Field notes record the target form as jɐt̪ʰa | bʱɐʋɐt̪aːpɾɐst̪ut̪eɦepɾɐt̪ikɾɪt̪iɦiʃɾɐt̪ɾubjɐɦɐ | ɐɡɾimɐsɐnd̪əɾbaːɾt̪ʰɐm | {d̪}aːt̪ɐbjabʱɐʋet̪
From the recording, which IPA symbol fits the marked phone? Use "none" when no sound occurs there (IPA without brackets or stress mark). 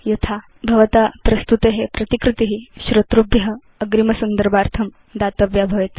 d̪